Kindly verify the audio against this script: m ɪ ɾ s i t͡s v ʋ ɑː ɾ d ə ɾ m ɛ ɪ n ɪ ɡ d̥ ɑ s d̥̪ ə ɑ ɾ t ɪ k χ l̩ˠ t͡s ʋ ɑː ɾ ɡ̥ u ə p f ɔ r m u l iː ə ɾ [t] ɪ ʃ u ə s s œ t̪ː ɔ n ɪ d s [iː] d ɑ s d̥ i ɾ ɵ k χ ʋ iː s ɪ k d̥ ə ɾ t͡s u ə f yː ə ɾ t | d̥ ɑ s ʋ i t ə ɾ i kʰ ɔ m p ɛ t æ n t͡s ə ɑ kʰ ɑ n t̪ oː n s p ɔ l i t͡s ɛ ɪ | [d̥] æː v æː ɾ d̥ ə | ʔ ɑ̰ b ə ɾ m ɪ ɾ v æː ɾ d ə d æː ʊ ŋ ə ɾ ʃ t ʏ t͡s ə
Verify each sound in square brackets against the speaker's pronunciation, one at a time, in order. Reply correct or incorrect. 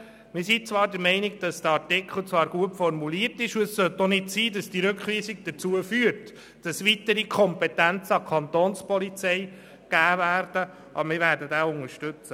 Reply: correct, correct, incorrect

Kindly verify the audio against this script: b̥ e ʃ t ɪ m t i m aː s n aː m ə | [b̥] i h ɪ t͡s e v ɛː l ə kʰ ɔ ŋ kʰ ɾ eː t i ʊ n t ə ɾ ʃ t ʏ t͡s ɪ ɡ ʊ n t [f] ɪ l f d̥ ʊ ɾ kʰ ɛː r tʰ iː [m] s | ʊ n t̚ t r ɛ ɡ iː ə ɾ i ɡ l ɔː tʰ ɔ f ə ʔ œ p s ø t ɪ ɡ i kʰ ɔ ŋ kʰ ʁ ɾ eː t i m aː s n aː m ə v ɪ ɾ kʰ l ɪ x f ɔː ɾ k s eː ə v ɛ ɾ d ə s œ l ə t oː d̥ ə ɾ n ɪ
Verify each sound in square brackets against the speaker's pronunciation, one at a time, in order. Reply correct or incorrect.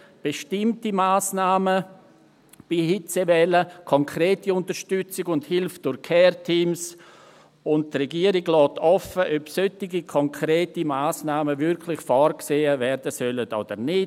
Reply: correct, incorrect, correct

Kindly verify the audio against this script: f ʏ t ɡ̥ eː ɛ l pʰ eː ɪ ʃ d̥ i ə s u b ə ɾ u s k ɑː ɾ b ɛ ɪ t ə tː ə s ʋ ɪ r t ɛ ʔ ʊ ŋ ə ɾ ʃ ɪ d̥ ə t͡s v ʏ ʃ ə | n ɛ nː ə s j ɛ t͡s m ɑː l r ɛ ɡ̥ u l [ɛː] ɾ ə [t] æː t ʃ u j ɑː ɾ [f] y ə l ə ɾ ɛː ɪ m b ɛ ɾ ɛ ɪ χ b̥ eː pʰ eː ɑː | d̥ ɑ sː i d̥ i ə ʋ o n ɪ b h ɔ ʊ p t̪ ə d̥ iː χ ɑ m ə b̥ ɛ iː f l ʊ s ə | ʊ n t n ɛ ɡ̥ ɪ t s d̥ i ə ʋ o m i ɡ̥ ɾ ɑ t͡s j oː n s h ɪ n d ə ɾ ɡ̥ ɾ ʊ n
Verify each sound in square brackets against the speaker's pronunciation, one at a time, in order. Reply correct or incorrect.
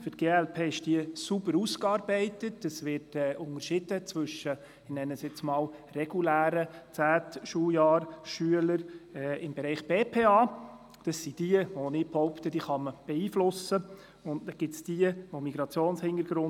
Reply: incorrect, incorrect, incorrect

